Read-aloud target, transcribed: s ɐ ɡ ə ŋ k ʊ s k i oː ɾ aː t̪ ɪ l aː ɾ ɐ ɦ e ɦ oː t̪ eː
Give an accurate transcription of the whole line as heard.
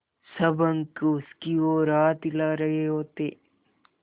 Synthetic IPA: s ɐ b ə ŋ k ʊ s k i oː ɾ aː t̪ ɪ l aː ɾ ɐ ɦ e ɦ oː t̪ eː